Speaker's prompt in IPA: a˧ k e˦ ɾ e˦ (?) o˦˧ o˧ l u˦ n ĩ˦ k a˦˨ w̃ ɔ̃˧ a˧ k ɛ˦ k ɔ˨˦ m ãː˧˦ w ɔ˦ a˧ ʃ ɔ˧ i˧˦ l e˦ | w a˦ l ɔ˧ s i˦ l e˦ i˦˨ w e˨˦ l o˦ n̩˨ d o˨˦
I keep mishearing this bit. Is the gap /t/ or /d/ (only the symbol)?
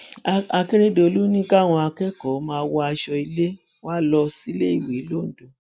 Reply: d